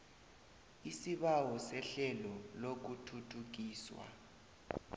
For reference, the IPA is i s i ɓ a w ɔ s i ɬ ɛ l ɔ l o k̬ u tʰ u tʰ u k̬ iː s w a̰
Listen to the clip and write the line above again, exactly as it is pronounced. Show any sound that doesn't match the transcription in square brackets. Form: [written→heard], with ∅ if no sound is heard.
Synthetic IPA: i s i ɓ a w ɔ s [i→ɛ] ɬ ɛ l ɔ l o k̬ u tʰ u tʰ u k̬ iː s w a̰